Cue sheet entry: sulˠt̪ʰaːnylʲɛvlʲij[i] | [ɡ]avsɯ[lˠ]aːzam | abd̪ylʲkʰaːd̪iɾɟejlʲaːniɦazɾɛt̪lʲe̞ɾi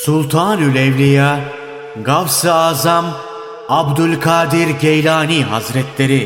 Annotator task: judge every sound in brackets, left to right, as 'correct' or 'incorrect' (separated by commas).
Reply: incorrect, correct, incorrect